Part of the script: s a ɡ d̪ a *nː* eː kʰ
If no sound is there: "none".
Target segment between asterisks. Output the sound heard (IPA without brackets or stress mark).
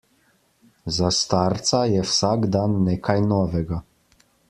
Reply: nː